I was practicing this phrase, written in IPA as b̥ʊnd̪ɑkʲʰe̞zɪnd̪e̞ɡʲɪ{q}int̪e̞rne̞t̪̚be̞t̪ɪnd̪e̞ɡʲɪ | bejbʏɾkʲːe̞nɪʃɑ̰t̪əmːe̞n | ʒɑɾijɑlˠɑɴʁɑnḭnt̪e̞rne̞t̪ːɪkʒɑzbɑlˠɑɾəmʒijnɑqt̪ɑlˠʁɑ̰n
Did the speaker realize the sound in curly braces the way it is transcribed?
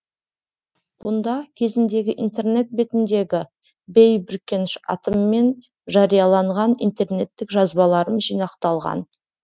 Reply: no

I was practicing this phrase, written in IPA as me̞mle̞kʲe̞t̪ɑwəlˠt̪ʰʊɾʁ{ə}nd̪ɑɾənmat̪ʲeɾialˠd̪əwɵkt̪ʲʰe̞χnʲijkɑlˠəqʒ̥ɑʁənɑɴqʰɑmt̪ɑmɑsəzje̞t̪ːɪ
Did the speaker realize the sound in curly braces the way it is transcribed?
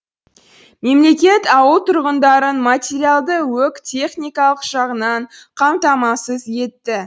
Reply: yes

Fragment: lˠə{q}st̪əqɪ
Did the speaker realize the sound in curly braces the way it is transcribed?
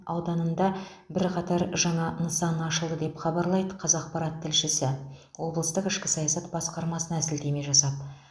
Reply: no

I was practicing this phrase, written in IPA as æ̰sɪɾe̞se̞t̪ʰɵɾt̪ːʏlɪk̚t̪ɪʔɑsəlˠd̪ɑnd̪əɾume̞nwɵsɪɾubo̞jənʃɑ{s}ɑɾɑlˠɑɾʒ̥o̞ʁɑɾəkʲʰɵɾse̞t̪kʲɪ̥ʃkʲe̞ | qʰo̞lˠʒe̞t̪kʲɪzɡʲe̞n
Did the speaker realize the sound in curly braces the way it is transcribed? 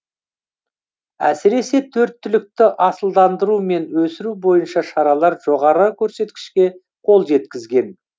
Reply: no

